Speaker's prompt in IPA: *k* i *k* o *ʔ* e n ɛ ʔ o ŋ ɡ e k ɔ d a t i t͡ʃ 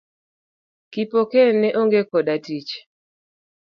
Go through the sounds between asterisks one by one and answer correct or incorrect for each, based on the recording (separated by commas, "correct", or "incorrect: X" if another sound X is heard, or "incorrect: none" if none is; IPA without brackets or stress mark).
correct, incorrect: p, incorrect: k